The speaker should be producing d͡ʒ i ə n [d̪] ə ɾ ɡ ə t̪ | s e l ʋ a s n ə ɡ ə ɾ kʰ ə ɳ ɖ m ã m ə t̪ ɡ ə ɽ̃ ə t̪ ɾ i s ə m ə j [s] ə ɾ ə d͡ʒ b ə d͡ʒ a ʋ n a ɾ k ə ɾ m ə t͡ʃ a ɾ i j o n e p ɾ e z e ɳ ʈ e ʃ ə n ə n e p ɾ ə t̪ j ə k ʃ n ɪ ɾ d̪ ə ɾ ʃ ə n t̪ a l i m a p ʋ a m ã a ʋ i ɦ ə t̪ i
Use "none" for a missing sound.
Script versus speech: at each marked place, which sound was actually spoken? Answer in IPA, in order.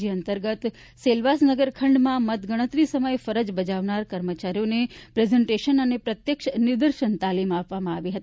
t̪, f

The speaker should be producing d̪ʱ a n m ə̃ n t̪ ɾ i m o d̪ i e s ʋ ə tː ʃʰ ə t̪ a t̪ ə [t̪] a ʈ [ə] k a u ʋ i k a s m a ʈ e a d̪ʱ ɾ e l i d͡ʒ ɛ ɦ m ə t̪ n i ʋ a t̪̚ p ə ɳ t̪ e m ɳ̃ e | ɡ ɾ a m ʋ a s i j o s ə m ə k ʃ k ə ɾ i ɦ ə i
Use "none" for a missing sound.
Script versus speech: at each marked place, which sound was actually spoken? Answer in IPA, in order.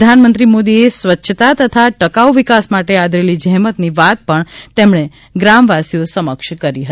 t̪ʰ, ə

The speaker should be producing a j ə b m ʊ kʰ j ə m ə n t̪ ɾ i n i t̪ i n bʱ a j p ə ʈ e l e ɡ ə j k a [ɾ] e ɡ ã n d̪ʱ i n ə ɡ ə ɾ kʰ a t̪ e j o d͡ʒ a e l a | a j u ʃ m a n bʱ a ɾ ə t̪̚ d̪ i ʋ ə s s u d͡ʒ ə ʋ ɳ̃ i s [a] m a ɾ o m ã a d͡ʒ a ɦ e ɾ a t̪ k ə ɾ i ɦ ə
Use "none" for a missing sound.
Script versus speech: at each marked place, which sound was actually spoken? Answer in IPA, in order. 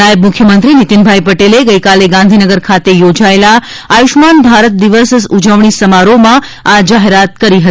l, ə

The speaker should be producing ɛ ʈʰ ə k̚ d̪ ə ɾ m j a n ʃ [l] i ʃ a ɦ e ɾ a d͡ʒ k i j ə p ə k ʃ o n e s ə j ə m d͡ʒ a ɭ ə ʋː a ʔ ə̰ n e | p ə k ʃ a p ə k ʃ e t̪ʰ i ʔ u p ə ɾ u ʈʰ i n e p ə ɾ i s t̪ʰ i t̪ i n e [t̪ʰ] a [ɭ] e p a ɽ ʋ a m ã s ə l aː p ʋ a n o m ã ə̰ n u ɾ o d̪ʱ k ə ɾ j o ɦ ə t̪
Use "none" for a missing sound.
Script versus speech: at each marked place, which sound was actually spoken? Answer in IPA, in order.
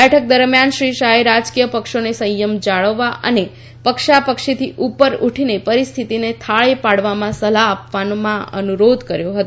ɾ, t̪ʰ, ɭ

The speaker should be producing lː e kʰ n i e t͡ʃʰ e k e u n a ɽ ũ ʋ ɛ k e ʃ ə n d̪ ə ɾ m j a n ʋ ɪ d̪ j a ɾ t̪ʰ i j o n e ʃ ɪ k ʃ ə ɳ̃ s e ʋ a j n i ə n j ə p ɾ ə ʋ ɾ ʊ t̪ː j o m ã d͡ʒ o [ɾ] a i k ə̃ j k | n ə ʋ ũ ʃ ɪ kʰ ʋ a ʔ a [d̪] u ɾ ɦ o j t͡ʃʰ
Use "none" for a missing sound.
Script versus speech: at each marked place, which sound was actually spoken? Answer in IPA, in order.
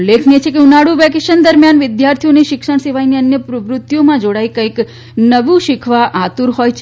ɽ, t̪

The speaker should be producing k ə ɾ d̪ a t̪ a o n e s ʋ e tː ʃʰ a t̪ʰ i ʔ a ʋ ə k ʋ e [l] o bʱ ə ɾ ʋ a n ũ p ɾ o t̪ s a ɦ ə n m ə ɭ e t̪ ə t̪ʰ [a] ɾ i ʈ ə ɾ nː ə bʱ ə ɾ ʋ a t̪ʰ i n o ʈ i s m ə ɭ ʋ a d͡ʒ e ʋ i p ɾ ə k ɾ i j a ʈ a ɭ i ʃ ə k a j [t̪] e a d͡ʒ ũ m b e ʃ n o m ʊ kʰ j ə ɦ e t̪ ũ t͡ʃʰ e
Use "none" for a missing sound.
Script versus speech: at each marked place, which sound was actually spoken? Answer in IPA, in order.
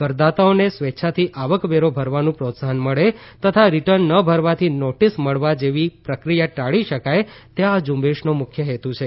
ɾ, a, t̪

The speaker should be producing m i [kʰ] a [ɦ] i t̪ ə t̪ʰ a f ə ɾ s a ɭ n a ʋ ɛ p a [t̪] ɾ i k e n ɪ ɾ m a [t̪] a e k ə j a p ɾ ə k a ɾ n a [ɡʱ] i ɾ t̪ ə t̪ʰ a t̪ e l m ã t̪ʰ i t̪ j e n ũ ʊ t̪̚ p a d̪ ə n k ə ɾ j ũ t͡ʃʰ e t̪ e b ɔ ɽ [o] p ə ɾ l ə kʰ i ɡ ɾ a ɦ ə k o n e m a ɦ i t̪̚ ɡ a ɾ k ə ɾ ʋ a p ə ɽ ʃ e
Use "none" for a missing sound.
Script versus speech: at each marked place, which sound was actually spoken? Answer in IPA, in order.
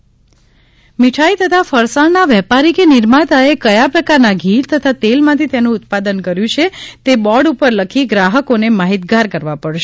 ʈʰ, none, none, t̪, ɡʱ, u

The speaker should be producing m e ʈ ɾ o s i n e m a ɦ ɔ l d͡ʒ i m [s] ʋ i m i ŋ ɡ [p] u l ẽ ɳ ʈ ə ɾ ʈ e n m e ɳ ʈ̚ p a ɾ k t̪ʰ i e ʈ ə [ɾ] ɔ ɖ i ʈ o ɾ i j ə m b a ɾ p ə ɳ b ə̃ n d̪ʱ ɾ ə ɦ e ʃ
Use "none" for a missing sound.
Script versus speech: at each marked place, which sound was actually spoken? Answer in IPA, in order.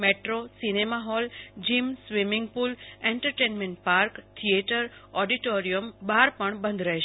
s, p, ɾ

